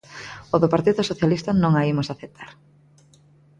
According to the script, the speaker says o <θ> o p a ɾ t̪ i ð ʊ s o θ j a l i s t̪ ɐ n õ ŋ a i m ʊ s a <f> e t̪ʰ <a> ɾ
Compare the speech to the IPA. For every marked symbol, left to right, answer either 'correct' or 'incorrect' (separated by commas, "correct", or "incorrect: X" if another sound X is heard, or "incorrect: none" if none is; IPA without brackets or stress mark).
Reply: incorrect: ð, incorrect: θ, correct